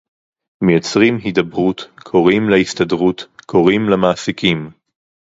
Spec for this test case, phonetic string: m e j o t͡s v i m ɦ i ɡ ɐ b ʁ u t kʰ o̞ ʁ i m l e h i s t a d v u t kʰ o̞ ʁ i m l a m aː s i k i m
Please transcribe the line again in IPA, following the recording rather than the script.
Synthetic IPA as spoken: m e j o t͡s ʁ i m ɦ i d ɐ b ʁ u t kʰ o̞ ʁ i m l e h i s t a d ʁ u t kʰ o̞ ʁ i m l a m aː s i k i m